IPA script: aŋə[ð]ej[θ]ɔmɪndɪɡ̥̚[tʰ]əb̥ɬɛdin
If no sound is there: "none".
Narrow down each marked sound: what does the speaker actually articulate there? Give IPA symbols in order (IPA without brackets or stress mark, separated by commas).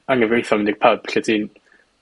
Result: v, θ, pʰ